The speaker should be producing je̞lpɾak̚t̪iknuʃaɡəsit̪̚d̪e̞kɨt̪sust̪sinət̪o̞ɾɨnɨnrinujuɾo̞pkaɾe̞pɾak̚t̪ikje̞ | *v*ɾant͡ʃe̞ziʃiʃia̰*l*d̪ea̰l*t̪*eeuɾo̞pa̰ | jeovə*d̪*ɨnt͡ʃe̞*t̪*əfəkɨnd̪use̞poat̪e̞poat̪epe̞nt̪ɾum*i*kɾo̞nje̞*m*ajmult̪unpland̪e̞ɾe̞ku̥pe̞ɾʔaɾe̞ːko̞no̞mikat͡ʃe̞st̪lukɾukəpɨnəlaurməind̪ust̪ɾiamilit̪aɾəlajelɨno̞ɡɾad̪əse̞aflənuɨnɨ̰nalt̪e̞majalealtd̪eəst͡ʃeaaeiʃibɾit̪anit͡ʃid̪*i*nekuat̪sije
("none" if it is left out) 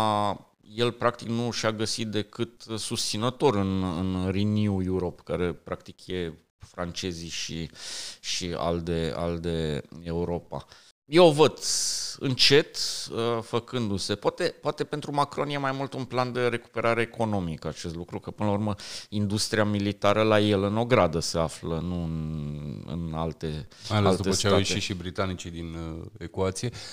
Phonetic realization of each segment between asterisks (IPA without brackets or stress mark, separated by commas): f, l, d̪, d̪, t̪, a, m, i